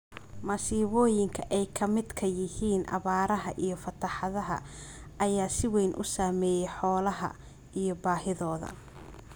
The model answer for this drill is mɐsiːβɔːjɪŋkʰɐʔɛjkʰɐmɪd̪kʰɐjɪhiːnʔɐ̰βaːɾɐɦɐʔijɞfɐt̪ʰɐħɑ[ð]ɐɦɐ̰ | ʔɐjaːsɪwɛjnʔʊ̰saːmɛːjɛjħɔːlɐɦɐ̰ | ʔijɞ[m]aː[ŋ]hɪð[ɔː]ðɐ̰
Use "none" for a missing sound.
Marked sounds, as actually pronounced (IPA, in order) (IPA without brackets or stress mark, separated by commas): ð, b, none, ɔː